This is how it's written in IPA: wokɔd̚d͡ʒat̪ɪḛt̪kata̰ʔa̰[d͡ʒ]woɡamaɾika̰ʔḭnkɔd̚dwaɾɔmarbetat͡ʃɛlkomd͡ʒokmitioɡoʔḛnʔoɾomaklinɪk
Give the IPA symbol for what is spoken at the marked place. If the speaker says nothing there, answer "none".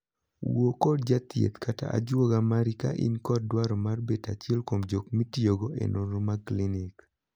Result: d͡ʒ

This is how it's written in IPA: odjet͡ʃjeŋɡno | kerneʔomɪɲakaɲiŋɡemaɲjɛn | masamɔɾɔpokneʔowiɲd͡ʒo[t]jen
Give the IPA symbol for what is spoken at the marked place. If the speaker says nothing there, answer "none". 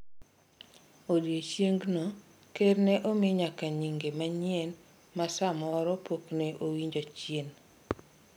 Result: t͡ʃ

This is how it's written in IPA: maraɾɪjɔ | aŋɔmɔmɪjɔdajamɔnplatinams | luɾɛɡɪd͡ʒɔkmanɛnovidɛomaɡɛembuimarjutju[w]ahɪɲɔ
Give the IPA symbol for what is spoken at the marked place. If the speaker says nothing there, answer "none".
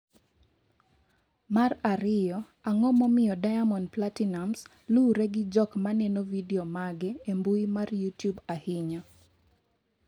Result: b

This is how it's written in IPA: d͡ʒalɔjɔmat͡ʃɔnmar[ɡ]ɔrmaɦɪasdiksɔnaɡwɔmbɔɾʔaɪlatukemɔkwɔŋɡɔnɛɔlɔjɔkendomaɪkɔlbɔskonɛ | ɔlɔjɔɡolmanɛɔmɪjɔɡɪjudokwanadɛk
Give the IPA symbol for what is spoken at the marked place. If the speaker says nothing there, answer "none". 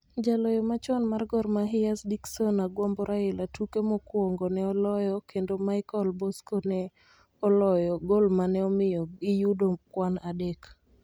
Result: ɡ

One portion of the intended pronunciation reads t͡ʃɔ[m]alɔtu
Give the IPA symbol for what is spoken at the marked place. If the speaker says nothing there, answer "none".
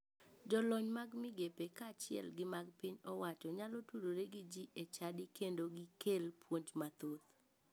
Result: ɲ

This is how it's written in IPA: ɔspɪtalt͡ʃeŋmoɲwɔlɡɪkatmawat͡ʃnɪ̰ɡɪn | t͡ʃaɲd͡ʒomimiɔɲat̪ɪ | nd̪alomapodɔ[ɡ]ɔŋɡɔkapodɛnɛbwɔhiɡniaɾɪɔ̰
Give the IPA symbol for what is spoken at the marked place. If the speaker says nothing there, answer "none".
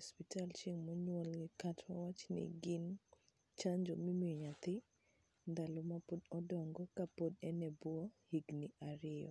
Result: d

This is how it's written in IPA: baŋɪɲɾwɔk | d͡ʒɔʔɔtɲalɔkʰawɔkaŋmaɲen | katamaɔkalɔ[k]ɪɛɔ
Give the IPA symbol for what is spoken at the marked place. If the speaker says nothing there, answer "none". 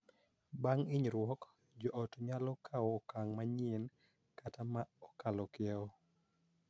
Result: k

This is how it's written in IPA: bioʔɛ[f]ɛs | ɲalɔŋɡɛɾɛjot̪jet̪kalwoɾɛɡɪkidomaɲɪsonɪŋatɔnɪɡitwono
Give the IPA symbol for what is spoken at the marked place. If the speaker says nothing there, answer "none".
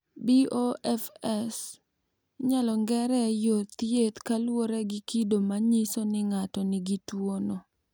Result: f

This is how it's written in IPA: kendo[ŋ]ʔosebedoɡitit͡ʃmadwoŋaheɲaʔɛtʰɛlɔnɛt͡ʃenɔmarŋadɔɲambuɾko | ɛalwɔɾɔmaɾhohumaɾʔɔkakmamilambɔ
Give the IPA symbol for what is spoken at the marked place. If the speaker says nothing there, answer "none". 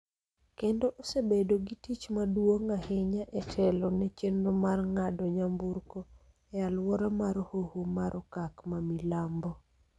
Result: none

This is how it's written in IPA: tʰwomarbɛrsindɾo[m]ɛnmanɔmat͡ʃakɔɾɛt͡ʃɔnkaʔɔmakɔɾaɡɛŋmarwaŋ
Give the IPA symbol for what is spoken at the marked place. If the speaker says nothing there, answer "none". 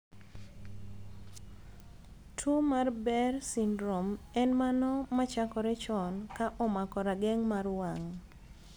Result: m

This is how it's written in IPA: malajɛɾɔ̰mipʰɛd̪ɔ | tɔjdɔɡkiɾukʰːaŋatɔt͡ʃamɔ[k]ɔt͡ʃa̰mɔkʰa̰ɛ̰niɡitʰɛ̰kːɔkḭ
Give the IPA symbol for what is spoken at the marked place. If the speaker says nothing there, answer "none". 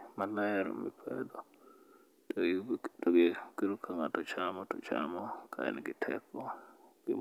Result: t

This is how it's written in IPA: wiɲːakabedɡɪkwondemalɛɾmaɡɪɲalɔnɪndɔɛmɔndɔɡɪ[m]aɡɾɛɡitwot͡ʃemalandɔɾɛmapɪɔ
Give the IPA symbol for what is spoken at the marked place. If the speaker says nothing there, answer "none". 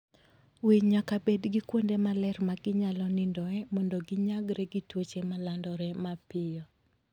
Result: ɲ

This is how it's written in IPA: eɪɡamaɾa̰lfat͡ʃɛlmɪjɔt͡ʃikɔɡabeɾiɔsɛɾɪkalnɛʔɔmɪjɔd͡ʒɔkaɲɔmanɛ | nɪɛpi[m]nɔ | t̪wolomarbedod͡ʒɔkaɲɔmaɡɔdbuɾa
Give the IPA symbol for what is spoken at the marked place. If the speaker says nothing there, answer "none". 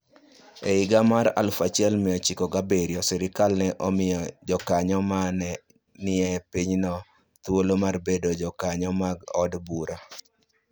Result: ɲ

